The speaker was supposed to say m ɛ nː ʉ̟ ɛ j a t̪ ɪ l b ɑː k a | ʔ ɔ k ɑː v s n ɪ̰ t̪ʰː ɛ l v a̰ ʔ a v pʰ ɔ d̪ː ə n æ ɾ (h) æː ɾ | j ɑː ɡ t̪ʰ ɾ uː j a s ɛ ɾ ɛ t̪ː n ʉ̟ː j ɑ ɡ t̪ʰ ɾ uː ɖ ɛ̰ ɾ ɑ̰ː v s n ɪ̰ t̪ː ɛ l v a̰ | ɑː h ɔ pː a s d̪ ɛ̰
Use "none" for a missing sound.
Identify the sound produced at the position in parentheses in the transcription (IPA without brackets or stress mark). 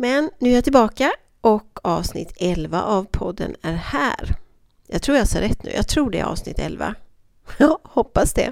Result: h